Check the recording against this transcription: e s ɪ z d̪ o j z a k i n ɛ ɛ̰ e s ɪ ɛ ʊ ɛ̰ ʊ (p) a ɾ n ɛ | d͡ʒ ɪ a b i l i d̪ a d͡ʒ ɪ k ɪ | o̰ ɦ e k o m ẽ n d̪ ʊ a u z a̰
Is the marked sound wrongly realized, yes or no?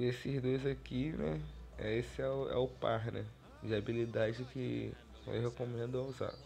no